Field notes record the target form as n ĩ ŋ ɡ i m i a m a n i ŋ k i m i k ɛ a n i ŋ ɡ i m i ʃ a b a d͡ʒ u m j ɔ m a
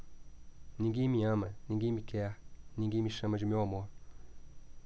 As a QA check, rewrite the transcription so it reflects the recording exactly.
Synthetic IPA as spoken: n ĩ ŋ ɡ i m i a m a n i ŋ ɡ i m i k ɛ a n i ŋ ɡ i m i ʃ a m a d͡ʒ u m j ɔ m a